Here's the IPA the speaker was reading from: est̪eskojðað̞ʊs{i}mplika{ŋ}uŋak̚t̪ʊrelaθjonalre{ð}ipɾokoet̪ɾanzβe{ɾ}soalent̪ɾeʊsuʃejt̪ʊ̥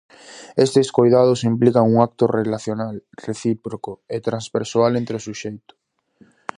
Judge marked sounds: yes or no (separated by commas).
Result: yes, yes, no, yes